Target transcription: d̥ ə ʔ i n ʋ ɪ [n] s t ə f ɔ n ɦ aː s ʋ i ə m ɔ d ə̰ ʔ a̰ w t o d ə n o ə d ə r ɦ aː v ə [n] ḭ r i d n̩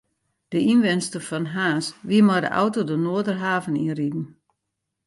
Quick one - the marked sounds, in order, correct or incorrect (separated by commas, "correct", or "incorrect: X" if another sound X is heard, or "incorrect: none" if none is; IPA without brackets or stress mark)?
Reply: correct, correct